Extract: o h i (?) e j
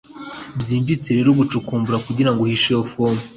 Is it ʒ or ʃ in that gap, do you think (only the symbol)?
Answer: ʃ